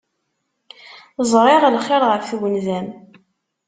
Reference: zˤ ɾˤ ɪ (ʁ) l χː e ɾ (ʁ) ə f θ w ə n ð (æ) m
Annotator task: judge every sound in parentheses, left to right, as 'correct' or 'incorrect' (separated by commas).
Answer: correct, correct, correct